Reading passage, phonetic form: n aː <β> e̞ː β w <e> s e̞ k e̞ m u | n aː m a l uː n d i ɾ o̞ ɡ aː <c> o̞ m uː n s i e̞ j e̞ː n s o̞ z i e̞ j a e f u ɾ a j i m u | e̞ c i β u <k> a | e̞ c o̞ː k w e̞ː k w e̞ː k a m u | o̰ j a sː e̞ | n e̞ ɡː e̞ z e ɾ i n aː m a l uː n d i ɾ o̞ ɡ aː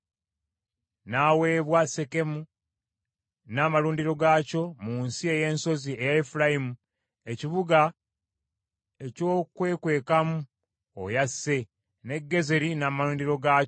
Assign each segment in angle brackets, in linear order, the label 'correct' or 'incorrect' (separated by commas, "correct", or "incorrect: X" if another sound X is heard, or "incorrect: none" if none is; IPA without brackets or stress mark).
incorrect: w, incorrect: a, correct, incorrect: ɡ